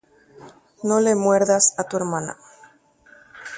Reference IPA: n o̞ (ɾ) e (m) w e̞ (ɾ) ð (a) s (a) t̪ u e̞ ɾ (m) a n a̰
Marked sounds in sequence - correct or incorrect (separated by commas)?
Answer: incorrect, correct, correct, correct, correct, correct